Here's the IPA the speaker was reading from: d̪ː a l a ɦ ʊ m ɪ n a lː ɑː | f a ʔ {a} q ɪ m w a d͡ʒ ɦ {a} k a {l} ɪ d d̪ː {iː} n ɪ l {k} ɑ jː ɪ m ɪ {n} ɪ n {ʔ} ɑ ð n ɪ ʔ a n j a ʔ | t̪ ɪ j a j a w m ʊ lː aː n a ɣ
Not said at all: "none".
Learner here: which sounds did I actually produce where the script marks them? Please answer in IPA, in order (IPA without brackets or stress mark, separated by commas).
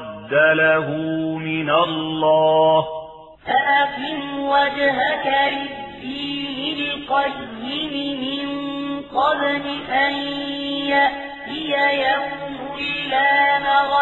a, a, l, iː, q, m, q